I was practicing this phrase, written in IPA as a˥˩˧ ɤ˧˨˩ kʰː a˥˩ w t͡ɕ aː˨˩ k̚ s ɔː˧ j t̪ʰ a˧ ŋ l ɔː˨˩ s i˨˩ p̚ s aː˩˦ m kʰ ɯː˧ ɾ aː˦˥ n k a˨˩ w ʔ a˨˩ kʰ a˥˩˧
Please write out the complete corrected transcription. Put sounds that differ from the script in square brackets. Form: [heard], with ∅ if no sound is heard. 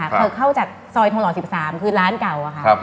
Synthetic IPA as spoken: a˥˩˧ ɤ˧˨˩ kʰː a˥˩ w t͡ɕ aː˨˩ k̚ s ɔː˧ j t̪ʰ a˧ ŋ l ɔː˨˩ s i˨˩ p̚ s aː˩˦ m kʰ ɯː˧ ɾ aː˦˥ n k a˨˩ w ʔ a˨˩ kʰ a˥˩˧